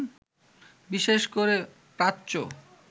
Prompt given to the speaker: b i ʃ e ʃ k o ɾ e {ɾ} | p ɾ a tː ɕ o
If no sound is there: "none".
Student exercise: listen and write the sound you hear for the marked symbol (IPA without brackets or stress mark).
none